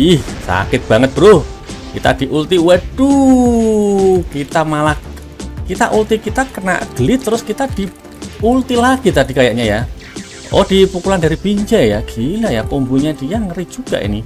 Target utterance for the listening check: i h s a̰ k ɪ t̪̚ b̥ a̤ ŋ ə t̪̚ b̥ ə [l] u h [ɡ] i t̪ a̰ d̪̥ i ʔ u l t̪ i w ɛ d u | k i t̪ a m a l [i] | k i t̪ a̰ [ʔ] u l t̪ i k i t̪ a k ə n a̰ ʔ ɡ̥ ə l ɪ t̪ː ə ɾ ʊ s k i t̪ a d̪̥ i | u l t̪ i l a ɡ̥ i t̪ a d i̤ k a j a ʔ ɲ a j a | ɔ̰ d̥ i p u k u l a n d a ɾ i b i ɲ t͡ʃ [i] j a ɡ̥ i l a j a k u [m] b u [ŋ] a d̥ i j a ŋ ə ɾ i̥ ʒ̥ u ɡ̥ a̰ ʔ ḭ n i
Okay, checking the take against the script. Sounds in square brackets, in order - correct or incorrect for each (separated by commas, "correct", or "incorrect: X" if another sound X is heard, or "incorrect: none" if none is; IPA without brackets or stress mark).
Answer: incorrect: ɾ, incorrect: k, incorrect: a, correct, incorrect: ɛ, correct, incorrect: ɲ